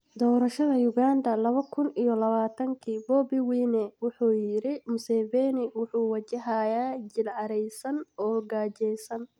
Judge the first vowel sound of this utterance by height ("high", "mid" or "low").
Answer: mid